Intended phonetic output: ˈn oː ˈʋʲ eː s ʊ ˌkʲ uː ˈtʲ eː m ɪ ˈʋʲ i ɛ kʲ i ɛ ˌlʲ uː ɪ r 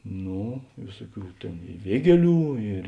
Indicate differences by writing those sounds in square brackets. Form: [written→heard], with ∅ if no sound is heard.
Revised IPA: ˈn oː ˈʋʲ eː s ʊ ˌkʲ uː ˈtʲ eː [m→n] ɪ ˈʋʲ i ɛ [kʲ→ɡʲ] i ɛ ˌlʲ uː ɪ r